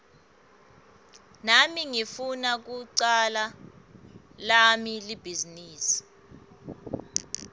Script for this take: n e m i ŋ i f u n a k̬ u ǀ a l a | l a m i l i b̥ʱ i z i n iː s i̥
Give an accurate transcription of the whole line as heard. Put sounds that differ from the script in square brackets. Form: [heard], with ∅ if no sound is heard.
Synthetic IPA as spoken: n [a] m i ŋ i f u n a k̬ u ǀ a l a | l a m i l i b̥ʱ i z i n iː s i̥